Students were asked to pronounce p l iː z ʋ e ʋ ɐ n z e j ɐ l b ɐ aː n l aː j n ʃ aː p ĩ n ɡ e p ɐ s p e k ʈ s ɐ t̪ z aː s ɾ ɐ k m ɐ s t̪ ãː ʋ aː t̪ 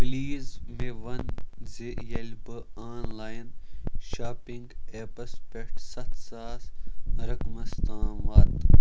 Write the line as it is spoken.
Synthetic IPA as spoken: p l iː z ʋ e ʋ ɐ n z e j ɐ l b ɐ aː n l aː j n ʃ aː p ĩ ŋ ɡ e p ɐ s p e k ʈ s ɐ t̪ s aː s ɾ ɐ k m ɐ s t̪ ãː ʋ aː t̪